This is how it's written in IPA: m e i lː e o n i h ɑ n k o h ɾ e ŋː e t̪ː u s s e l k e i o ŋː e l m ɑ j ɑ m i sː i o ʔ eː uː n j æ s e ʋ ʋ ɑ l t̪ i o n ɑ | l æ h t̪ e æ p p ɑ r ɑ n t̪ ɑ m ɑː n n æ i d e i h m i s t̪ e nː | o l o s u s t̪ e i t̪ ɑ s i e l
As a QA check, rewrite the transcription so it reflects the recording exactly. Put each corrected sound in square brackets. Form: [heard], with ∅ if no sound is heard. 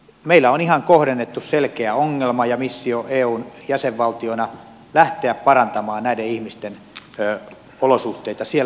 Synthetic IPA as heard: m e i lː [æ] o n i h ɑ [ŋ] k o h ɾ e [nː] e t̪ː u s s e l k e [æ] o ŋː e l m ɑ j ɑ m i sː i o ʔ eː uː n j æ s e ʋ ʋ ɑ l t̪ i o n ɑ | l æ h t̪ e æ p p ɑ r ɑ n t̪ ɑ m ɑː n n æ i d e i h m i s t̪ e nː | o l o s u [h] t̪ e i t̪ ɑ s i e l